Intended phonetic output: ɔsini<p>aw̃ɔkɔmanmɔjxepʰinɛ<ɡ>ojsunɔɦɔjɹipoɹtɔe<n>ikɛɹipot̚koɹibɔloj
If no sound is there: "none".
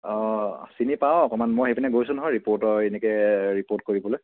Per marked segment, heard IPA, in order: p, ɡ, n

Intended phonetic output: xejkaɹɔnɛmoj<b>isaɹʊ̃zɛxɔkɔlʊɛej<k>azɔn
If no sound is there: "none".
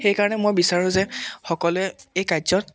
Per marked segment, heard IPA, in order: b, k

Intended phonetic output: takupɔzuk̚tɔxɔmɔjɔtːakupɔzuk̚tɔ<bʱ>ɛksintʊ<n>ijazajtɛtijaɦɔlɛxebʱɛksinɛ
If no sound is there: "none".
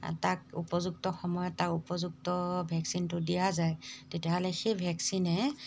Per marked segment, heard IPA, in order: bʱ, d

